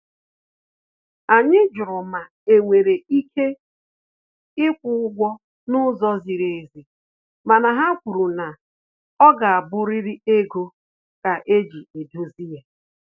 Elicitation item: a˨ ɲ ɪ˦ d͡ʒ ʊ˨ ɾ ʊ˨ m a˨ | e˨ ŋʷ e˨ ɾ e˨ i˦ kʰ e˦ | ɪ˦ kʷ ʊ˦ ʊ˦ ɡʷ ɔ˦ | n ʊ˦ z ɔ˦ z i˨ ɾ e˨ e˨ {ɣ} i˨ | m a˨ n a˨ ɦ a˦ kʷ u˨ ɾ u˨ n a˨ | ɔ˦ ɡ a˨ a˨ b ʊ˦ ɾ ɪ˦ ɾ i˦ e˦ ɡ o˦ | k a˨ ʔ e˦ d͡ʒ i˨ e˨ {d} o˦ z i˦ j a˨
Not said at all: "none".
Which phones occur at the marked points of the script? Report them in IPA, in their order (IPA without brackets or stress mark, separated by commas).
z, d